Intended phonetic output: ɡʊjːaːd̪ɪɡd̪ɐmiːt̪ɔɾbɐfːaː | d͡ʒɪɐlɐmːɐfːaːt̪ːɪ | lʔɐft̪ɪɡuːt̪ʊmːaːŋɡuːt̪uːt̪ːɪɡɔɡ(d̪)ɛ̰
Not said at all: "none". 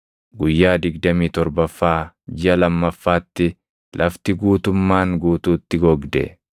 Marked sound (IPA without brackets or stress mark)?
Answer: d̪